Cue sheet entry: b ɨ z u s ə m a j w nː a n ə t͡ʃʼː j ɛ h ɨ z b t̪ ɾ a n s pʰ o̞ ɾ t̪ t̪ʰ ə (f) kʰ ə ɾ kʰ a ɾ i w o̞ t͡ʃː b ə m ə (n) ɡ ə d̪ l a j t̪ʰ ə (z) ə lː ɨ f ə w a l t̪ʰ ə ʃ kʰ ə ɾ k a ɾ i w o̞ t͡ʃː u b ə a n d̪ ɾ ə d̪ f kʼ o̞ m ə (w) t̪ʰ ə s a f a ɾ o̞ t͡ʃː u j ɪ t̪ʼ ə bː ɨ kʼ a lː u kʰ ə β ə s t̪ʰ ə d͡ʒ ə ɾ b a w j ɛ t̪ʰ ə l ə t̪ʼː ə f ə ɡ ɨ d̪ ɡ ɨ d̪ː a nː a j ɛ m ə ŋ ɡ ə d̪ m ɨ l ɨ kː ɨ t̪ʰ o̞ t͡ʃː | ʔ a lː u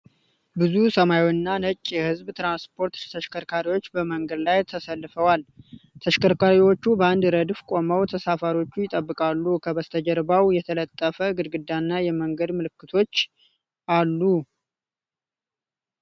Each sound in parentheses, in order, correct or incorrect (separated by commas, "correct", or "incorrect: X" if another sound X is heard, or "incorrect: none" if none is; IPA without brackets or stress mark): incorrect: ʃ, incorrect: ŋ, incorrect: s, correct